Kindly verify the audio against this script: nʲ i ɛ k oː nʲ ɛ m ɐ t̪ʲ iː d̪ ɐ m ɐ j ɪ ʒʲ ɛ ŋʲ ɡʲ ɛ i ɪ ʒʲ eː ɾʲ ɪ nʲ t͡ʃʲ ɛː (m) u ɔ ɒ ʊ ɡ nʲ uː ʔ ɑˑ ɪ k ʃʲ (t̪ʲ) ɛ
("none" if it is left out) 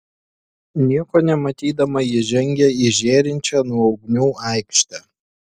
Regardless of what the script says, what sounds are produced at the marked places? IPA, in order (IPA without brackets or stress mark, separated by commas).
n, t̪ʲ